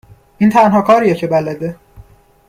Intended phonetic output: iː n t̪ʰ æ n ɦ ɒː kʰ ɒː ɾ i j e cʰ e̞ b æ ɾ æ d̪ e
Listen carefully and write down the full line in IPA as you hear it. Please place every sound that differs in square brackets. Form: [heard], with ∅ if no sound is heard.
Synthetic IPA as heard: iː n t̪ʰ æ n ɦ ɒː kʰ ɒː ɾ i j e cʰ e̞ b æ [l] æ d̪ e